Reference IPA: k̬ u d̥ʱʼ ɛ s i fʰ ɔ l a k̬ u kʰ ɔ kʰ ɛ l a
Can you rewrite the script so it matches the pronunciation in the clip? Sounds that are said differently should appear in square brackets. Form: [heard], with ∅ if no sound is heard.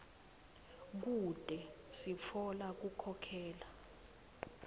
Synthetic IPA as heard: k̬ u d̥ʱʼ ɛ s i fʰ ɔ l a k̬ u kʰ ɔ kʰ [ɛː] l a